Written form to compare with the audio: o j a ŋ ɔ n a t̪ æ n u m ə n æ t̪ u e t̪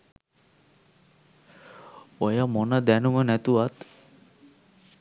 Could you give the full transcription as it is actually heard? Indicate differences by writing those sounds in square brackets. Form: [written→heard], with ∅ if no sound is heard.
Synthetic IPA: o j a [ŋ→m] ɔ n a [t̪→d̪] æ n u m ə n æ t̪ u [e→a] t̪